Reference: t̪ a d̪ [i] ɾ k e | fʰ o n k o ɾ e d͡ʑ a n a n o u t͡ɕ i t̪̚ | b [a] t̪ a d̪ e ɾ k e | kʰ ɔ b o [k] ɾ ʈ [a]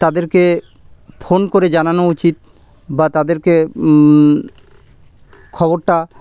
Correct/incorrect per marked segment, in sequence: incorrect, correct, incorrect, correct

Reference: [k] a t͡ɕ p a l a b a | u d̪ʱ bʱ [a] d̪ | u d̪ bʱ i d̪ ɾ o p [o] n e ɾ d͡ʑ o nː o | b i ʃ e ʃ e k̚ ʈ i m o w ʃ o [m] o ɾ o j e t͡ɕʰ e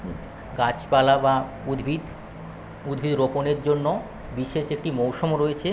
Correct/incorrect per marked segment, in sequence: incorrect, incorrect, correct, correct

